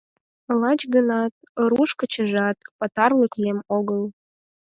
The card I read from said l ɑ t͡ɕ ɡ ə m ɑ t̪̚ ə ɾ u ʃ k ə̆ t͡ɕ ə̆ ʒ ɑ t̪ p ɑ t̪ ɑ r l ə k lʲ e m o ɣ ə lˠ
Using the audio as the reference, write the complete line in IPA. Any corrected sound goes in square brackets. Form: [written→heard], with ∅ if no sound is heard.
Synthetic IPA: l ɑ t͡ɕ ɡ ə [m→n] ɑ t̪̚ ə ɾ u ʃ k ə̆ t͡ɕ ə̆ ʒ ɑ t̪ p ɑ t̪ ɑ r l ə k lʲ e m o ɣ ə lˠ